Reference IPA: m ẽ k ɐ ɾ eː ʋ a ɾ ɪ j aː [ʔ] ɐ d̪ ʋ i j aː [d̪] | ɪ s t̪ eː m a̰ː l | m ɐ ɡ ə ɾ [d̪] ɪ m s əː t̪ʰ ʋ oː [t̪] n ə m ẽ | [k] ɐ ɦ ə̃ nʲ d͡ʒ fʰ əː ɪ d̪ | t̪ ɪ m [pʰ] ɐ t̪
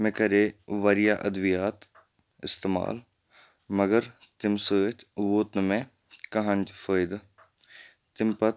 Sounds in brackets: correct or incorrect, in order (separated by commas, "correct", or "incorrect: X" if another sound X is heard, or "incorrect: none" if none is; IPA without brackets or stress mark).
correct, incorrect: t̪, incorrect: t̪, correct, correct, incorrect: p